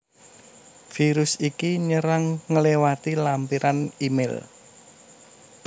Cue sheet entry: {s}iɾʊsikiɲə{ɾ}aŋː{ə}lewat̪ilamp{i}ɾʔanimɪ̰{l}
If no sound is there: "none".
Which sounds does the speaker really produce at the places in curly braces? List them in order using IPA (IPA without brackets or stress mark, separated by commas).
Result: f, ɾ, ə, i, l